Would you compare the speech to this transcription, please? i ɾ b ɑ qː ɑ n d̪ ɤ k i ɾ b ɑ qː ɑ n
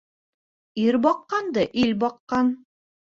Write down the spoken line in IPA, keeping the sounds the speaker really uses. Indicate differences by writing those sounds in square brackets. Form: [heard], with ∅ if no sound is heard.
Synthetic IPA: i ɾ b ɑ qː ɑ n d̪ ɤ [ʔ] i [l] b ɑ qː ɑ n